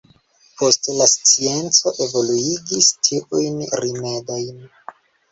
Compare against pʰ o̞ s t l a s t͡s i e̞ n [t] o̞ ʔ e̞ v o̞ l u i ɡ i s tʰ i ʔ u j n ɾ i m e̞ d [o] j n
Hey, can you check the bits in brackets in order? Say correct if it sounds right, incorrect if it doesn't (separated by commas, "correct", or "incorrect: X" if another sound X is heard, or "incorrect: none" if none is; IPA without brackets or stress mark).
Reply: incorrect: t͡s, correct